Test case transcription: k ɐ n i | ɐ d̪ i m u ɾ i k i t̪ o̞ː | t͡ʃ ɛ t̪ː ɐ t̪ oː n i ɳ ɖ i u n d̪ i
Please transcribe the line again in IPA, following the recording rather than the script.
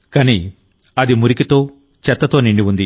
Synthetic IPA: k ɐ n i | ɐ d̪ i m u ɾ i k i t̪ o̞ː | t͡ʃ ɛ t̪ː ɐ t̪ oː n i ɳ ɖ i u n d̪ i